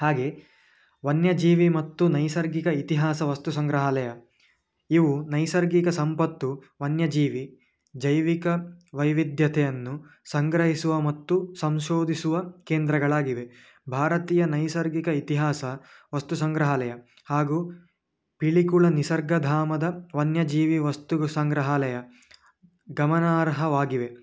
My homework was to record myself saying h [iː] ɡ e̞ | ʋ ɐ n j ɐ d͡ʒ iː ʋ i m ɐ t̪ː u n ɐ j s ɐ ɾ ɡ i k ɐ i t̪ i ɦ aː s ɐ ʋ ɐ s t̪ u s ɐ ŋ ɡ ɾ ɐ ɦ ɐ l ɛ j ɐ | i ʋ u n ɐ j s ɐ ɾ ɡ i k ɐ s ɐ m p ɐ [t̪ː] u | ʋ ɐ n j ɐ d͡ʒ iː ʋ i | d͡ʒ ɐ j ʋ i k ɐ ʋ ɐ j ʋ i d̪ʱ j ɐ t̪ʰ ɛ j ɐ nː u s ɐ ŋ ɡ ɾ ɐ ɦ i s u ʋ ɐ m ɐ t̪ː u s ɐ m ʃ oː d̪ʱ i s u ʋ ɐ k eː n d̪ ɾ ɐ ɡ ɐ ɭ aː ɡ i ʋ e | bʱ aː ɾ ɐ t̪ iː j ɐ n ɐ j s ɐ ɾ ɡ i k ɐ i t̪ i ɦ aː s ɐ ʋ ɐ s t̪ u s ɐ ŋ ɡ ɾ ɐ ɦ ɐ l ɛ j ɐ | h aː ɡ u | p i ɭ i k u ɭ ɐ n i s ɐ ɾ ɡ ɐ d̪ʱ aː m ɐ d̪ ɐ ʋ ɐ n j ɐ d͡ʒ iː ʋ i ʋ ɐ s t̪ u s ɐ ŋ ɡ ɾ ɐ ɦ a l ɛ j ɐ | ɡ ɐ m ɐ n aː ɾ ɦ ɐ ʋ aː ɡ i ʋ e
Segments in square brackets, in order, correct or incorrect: incorrect: aː, correct

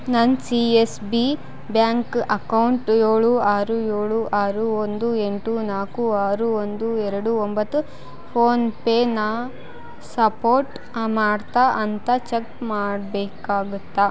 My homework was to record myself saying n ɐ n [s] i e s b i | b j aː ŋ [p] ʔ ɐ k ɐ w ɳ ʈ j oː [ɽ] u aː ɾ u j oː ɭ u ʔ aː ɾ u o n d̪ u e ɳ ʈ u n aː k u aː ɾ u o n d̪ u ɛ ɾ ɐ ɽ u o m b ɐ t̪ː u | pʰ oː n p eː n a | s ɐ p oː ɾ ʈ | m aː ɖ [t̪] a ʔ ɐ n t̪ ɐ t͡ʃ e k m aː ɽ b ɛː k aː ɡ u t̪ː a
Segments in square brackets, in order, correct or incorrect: correct, incorrect: k, incorrect: ɭ, correct

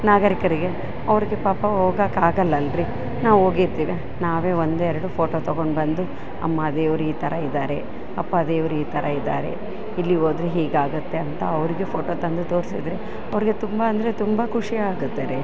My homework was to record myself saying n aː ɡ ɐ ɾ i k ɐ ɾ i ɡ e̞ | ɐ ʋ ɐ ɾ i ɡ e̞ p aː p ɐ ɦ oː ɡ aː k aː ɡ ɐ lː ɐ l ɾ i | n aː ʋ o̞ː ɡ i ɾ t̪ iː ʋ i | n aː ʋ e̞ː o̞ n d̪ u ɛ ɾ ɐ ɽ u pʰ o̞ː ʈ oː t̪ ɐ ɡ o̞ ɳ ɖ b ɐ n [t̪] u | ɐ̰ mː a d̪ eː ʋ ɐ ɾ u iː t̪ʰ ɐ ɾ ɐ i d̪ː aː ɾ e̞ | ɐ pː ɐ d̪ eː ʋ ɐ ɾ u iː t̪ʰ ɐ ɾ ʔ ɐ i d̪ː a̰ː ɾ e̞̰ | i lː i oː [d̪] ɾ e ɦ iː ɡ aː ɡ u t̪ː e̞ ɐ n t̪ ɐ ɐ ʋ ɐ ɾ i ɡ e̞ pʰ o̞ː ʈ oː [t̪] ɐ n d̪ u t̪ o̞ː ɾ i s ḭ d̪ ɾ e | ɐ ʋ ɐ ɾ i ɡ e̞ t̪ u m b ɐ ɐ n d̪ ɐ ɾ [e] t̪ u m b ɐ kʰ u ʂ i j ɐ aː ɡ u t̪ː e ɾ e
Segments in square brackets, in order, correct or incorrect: incorrect: d̪, correct, correct, correct

